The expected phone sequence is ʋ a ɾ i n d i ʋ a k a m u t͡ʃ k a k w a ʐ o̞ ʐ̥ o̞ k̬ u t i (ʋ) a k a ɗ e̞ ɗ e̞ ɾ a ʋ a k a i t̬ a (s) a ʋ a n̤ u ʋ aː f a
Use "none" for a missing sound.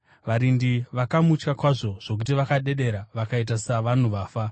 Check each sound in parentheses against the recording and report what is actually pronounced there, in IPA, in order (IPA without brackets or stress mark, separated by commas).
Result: ʋ, s